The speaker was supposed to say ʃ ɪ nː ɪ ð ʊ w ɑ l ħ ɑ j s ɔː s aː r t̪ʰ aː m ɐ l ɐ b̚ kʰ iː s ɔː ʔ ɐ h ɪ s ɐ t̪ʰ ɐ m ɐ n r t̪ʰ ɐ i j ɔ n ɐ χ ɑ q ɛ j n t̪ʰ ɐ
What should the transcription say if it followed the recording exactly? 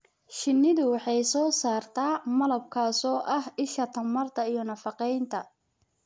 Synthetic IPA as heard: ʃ ɪ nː ɪ ð ʊ w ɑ ħ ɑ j s ɔː s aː r t̪ʰ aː m ɐ l ɐ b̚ kʰ aː s ɔː ʔ ɐ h ɪ ʃ ɐ t̪ʰ ɐ m ɐ r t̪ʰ ɐ i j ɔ n ɐ f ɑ q ɛ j n t̪ʰ ɐ